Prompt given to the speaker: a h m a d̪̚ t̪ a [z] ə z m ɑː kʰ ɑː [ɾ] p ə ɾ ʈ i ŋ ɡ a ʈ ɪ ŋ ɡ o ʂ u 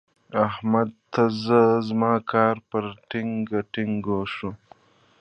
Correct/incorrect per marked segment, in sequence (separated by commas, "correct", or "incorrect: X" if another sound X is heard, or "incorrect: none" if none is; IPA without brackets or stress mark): correct, correct